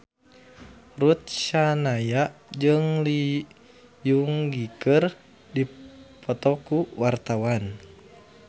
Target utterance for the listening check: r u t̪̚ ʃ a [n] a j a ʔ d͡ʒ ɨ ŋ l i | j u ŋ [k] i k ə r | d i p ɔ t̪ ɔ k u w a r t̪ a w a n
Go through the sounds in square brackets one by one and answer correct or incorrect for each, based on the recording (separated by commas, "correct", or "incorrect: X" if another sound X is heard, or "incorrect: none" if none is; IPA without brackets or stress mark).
correct, incorrect: ɡ